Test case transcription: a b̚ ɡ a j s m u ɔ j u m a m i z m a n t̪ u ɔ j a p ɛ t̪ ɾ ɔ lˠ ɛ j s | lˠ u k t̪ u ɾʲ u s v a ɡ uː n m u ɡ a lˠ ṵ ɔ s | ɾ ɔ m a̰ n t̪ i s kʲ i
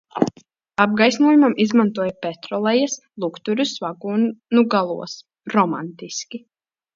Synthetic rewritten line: a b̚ ɡ a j s n u ɔ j u m a m i z m a n t̪ u ɔ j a p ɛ t̪ ɾ ɔ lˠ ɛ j s | lˠ u k t̪ u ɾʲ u s v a ɡ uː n n u ɡ a lˠ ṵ ɔ s | ɾ ɔ m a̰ n t̪ i s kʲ i